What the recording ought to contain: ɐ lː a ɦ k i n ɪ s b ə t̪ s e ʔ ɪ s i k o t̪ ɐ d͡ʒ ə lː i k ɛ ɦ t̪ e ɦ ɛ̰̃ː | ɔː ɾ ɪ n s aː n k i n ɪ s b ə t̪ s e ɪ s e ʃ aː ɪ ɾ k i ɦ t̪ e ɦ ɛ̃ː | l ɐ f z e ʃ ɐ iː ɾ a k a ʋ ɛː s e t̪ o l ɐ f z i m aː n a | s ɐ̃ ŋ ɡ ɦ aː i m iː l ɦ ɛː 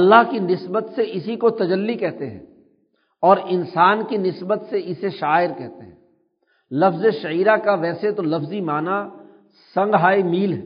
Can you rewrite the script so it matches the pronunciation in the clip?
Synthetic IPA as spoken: ɐ lː a ɦ k i n ɪ s b ə t̪ s e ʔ ɪ s i k o t̪ ɐ d͡ʒ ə lː i k ɛ ɦ t̪ e ɦ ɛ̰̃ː | ɔː ɾ ɪ n s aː n k i n ɪ s b ə t̪ s e ɪ s e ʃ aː ɪ ɾ k ɛ ɦ t̪ e ɦ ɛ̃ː | l ɐ f z e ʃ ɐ iː ɾ a k a ʋ ɛː s e t̪ o l ɐ f z i m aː n a | s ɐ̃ ŋ ɡ ɦ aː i m iː l ɦ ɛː